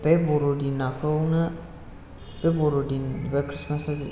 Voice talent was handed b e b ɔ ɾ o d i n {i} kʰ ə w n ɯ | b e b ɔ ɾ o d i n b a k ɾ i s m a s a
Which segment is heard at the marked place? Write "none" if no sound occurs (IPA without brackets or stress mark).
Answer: a